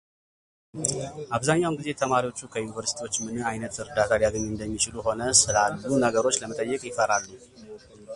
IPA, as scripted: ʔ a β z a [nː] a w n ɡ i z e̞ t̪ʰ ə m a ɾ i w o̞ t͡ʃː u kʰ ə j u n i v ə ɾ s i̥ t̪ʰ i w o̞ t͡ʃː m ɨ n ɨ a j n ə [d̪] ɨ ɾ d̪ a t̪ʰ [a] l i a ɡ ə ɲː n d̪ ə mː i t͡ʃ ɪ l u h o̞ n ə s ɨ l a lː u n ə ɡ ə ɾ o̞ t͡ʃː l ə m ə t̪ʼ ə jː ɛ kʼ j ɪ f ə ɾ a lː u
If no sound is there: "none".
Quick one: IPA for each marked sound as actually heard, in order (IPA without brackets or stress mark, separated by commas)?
ɲː, t̪, a